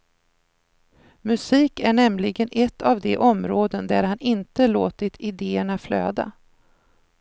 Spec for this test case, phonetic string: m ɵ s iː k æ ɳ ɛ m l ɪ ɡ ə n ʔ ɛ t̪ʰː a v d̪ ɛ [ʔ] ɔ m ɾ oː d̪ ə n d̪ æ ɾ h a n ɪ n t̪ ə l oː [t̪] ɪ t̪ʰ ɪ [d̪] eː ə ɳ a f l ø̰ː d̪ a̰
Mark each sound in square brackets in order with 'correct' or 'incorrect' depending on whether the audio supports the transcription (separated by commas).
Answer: correct, correct, correct